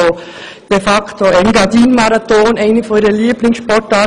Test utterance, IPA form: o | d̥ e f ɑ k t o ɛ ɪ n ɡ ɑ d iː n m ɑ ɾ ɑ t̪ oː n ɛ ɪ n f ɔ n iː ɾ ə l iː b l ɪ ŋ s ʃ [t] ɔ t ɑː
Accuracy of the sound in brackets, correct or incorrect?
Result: incorrect